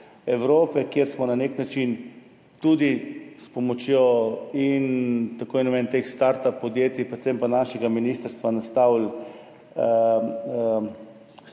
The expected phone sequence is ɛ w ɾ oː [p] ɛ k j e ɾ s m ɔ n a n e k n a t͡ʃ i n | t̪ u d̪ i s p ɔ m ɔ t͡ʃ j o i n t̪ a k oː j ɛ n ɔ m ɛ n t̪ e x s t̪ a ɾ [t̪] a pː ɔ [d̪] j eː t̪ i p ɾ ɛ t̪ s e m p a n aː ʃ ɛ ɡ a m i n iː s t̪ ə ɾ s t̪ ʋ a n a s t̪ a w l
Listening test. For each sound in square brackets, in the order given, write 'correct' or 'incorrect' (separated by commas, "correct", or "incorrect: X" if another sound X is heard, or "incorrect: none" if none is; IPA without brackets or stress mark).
correct, correct, correct